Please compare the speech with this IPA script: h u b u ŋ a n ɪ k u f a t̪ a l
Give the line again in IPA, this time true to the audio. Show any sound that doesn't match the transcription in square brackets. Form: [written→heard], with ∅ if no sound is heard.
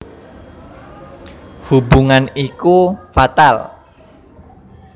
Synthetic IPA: h u b u ŋ a n [ɪ→i] k u f a t̪ a l